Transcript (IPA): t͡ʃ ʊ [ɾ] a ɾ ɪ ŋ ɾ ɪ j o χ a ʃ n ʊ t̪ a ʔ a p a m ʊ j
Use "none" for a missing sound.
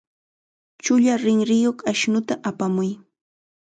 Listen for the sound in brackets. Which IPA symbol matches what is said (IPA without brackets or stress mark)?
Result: ʎ